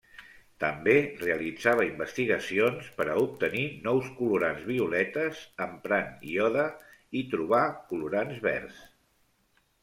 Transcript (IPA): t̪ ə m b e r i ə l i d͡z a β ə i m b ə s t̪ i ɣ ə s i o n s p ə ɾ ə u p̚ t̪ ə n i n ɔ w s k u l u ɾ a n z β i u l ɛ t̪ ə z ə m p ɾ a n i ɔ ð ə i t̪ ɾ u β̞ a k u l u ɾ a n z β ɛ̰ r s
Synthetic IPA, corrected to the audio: t̪ ə m b e r e ə l i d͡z a β ə i m b ə s t̪ i ɣ ə s i o n s p ə ɾ ə u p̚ t̪ ə n i n ɔ w s k u l u ɾ a n z β i u l ɛ t̪ ə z ə m p ɾ a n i ɔ ð ə i t̪ ɾ u β̞ a k u l u ɾ a n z β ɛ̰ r s